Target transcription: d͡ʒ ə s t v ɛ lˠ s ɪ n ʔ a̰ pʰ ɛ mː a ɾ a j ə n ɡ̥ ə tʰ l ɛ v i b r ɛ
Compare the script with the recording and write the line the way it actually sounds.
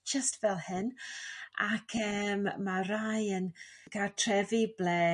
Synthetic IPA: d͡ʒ ə s t v ɛ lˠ h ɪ n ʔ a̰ kʰ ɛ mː a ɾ a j ə n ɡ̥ a tʰ r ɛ v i b l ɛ

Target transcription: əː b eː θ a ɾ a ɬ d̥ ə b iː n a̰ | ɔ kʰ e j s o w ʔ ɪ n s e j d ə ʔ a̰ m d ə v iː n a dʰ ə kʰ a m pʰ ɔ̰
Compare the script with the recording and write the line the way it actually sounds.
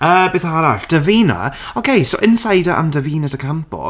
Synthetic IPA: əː b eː θ a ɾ a ɬ d̥ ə v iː n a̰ | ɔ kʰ e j s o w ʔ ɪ n s a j d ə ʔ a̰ m d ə v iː n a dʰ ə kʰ a m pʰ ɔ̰

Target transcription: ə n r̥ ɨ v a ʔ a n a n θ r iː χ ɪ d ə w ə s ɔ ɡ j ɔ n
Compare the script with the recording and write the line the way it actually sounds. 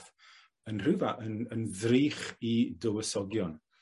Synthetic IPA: ə n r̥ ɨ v a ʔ ə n ə n ð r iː χ i d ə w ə s ɔ ɡ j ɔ n

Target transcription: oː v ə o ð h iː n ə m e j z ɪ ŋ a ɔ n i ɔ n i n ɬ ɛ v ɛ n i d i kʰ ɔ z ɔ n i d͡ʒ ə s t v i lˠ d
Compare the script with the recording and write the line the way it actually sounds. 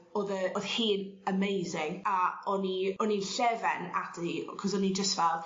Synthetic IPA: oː ð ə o ð h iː n ə m e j z ɪ ŋ a ɔ n i ɔ n i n ɬ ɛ v ɛ n a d i kʰ ɔ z ɔ n i d͡ʒ ə s t v ɛ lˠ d

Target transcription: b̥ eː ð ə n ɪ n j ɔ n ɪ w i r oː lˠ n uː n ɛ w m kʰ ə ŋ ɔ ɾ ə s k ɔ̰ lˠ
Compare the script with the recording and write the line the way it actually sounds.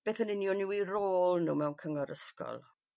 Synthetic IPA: b̥ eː θ ə n ɪ n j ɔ n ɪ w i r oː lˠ n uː m ɛ w n kʰ ə ŋ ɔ ɾ ə s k ɔ̰ lˠ

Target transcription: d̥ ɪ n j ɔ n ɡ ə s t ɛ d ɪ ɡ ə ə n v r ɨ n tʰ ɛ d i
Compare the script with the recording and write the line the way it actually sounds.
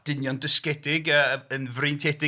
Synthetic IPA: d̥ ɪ n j ɔ n d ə s k ɛ d ɪ ɡ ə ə n v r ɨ n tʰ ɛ d ɪ

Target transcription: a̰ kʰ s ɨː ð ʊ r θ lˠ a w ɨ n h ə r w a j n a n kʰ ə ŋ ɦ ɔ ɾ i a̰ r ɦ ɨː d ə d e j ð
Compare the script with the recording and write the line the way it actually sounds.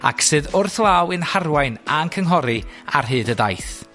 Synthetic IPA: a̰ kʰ s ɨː ð ʊ r θ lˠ a w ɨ n h a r w a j n a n kʰ ə ŋ ɦ ɔ ɾ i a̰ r ɦ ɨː d ə d a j θ

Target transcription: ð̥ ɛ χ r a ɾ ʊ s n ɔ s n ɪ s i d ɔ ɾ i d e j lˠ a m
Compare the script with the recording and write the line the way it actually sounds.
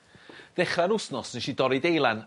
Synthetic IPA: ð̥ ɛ χ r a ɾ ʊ s n ɔ s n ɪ ʃ i d ɔ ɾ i d e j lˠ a n

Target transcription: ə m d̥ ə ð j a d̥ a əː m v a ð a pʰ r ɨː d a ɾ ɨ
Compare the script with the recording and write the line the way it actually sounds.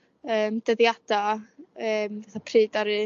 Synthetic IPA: əː m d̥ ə ð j a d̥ a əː m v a θ a pʰ r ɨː d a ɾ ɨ

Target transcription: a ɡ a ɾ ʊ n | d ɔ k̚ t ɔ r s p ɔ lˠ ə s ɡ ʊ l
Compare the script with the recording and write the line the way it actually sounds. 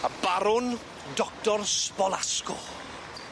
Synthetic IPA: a b a ɾ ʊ n | d ɔ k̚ t ɔ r s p ɔ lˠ a s k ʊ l

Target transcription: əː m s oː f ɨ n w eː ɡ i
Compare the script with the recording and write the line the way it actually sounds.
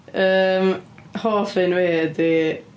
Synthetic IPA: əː m h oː f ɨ n w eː d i

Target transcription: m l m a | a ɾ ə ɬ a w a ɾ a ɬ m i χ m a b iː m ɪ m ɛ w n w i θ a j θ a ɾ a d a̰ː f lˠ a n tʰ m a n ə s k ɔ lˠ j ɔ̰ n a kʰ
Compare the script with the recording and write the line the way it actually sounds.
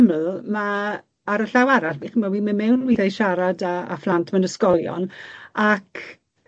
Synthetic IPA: m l m a | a ɾ ə ɬ a w a ɾ a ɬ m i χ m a w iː m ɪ m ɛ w n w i θ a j ʃ a ɾ a d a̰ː f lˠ a n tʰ m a n ə s k ɔ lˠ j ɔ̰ n a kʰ

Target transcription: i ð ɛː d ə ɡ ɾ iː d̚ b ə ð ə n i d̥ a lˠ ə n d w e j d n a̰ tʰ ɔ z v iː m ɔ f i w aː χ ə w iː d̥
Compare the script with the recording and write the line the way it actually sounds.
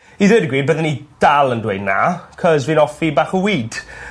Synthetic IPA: i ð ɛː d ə ɡ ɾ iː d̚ b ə ð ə n i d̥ a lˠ ə n d w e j d n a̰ kʰ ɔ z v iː n ɔ f i b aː χ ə w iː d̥

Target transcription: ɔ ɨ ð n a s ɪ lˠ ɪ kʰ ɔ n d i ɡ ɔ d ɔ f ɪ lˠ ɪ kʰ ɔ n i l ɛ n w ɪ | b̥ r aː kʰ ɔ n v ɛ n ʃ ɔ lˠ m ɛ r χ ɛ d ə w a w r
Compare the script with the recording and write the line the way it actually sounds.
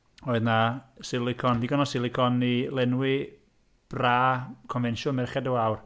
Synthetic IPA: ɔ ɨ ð n a s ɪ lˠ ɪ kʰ ɔ n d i ɡ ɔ n ɔ s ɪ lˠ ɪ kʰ ɔ n i l ɛ n w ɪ | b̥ r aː kʰ ɔ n v ɛ n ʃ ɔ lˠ m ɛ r χ ɛ d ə w a w r

